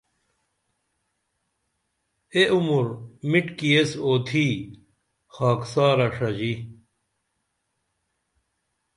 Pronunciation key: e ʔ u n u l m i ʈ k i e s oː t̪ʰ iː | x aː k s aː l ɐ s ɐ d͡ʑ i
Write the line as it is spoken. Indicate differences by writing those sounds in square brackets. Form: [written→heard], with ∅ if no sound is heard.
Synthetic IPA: e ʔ u [n→m] u [l→ɾ] m i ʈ k i e s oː t̪ʰ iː | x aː k s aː [l→ɾ] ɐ [s→ʂ] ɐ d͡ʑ i